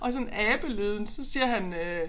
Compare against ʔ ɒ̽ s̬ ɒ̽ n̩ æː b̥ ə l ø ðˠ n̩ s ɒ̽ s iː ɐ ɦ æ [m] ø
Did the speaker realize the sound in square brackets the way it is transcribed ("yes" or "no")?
no